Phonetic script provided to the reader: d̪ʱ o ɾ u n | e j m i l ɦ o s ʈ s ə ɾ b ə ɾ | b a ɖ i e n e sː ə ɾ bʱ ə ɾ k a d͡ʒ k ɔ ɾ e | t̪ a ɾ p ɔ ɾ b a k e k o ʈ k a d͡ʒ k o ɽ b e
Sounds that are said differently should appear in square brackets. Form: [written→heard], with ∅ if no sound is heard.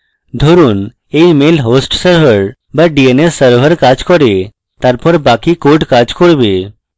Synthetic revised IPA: d̪ʱ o ɾ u n | e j m [i→e] l ɦ o s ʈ s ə ɾ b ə ɾ | b a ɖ i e n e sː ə ɾ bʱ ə ɾ k a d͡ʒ k ɔ ɾ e | t̪ a ɾ p ɔ ɾ b a k [e→i] k o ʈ k a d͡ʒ k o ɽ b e

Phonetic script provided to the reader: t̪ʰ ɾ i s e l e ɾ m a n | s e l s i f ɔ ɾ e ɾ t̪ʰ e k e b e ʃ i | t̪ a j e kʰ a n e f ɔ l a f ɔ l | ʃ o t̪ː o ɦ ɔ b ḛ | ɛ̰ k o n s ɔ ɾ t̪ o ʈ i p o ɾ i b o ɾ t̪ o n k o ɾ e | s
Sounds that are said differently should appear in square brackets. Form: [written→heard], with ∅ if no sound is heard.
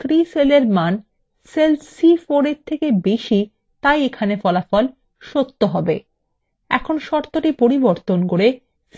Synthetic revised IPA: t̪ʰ ɾ i s e l e ɾ m a n | s e l s i f [ɔ→o] ɾ e ɾ t̪ʰ e k e b e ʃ i | t̪ a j e kʰ a n e f ɔ l a f ɔ l | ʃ o t̪ː o ɦ ɔ b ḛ | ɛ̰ [k→kʰ] o n [s→ʃ] ɔ ɾ t̪ o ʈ i p o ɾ i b o ɾ t̪ o n k o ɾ e | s

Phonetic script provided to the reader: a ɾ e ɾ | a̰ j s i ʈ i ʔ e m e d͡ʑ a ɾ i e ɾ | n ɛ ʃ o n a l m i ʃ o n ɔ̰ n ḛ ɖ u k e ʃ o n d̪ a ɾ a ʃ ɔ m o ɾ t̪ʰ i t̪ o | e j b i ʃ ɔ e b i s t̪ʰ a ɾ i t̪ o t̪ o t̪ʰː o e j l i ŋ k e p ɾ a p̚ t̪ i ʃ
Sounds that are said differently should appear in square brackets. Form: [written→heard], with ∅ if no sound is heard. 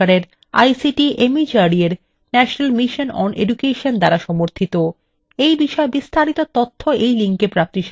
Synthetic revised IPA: a ɾ e ɾ | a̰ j s i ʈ i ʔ e m [e→i] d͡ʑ a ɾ i e ɾ | n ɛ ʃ o n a l m i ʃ o n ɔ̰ n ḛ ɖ u k e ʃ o n d̪ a ɾ a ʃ ɔ m o ɾ t̪ʰ i t̪ o | e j b i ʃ ɔ e b i s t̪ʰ a ɾ i t̪ o t̪ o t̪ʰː o e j l i ŋ k e p ɾ a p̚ t̪ i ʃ

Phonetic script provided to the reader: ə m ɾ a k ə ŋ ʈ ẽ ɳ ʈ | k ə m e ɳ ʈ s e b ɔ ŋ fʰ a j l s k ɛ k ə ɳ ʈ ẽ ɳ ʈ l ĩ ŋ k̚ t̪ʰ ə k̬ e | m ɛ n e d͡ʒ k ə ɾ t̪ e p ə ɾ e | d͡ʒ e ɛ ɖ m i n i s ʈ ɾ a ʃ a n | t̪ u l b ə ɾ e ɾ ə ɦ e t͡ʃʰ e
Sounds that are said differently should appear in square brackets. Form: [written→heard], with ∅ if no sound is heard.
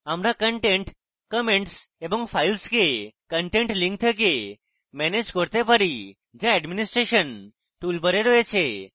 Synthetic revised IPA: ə m ɾ a k ə [ŋ→ɳ] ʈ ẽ ɳ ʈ | k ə m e ɳ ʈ s e b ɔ ŋ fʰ a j l s k [ɛ→e] k ə ɳ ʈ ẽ ɳ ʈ l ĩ ŋ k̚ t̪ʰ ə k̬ e | m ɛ n e d͡ʒ k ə ɾ t̪ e p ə ɾ [e→i] | d͡ʒ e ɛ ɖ m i n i s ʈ ɾ [a→e] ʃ [a→ə] n | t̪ u l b ə ɾ e ɾ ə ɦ e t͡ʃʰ e

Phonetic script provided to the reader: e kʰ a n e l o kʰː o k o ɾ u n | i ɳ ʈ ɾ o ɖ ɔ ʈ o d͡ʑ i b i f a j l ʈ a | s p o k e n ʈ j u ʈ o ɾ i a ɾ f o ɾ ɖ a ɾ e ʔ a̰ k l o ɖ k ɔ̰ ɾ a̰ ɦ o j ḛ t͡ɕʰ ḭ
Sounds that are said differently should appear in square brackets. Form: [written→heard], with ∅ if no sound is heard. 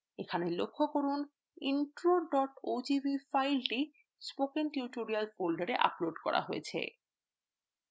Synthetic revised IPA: e kʰ a n e l o kʰː o k o ɾ u n | i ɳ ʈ ɾ o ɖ ɔ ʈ o d͡ʑ i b i f a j l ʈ [a→i] | s p o k e n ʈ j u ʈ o ɾ i a [ɾ→l] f o [ɾ→l] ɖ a ɾ e ʔ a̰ [k→p] l o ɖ k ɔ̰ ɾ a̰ ɦ o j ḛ t͡ɕʰ [ḭ→ḛ]

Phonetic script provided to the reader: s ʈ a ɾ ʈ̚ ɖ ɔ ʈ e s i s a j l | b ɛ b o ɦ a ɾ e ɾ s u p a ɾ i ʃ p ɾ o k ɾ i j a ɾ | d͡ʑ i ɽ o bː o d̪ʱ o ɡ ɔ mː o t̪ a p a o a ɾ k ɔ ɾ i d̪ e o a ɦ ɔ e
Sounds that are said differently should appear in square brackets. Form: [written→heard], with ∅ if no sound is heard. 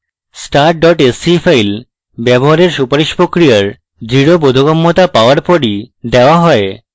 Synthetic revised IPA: s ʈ a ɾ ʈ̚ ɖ ɔ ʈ e s i [s→f] a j l | b ɛ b o ɦ a ɾ e ɾ [s→ʃ] u p a ɾ i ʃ p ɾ o k ɾ i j a ɾ | d͡ʑ i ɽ o [bː→b] o d̪ʱ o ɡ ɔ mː o t̪ a p a o a ɾ [k→p] ɔ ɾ i d̪ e o a ɦ ɔ e

